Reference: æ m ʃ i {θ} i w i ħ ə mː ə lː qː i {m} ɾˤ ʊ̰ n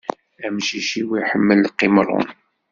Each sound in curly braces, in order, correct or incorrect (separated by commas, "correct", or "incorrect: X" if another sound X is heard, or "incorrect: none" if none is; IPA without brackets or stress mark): incorrect: ʃ, correct